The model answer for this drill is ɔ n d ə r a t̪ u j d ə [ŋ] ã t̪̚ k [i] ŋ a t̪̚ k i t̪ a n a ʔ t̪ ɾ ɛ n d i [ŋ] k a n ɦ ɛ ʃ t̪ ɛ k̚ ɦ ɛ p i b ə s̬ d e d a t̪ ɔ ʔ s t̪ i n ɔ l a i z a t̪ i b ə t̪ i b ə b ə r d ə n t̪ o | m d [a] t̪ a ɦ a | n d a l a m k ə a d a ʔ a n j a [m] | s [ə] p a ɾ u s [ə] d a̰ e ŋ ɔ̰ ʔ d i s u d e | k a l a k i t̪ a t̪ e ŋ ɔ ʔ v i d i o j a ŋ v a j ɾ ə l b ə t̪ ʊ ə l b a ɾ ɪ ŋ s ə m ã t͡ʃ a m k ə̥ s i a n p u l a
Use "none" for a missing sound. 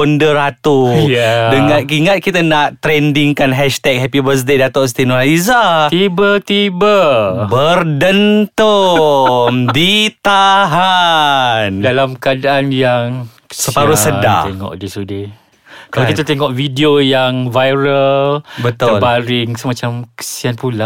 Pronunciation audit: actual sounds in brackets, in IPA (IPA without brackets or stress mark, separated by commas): ŋ, i, ŋ, i, ŋ, ə, ə